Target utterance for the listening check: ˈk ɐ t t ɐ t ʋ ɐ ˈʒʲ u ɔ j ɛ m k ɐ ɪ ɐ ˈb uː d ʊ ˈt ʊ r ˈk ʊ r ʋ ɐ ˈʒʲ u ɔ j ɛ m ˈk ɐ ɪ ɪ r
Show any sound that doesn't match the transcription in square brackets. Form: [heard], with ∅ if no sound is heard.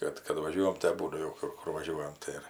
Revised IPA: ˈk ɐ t [k] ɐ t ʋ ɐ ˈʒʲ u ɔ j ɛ m [t] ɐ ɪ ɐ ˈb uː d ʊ [ˈk] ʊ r ˈk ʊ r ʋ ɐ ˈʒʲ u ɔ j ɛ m [ˈt] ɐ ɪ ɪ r